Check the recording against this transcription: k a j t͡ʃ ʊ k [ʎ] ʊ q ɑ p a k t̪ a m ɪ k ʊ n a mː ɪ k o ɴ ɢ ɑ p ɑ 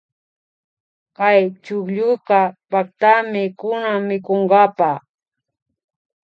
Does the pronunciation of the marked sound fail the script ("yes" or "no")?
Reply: no